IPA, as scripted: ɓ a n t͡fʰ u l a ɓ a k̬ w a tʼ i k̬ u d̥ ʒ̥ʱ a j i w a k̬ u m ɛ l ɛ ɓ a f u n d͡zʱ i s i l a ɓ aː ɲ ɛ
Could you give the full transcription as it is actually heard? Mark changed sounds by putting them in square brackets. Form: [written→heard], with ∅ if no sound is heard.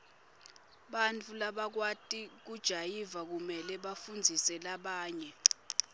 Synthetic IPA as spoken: ɓ a n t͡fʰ u l a ɓ a k̬ w a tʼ i k̬ u d̥ ʒ̥ʱ a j i [w→v] a k̬ u m ɛ l ɛ ɓ a f u n d͡zʱ i s [i→ɛ] l a ɓ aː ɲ ɛ

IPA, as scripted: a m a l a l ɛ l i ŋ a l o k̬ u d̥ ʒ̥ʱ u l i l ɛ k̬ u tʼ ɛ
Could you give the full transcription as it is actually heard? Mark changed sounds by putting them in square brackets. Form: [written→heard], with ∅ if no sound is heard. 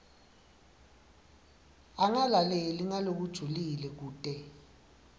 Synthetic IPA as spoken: a [m→ŋ] a l a l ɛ l i ŋ a l o k̬ u d̥ ʒ̥ʱ u l i l ɛ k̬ [u→uː] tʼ ɛ

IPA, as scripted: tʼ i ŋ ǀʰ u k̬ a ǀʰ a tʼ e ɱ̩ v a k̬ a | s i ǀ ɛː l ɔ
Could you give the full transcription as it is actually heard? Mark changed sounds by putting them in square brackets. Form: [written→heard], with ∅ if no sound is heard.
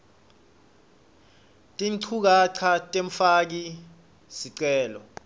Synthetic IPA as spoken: tʼ i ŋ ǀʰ u k̬ a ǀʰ a tʼ e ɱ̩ [v→f] a k̬ [a→i] | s i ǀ ɛː l ɔ

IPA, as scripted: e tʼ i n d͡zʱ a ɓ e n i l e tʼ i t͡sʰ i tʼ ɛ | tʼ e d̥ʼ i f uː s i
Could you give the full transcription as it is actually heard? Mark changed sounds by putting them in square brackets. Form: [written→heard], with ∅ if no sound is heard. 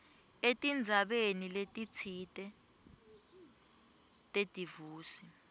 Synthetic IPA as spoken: e tʼ i n d͡zʱ a ɓ e n i l e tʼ i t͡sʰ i tʼ ɛ | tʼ e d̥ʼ i [f→v] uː s i

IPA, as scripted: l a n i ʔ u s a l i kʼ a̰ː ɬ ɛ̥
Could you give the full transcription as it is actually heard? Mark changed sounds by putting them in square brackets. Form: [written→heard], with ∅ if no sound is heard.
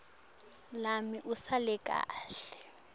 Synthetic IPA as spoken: l a [n→m] i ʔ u s a l [i→ɛ] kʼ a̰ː ɬ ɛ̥

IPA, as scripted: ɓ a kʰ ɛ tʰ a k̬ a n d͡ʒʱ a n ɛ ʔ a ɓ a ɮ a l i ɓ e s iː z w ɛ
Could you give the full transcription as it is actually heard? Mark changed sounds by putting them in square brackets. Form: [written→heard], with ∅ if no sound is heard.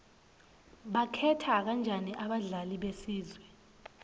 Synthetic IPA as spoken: ɓ a kʰ ɛ tʰ a k̬ a n d͡ʒʱ a n [ɛ→i] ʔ a ɓ a ɮ a l i ɓ e s iː z w ɛ

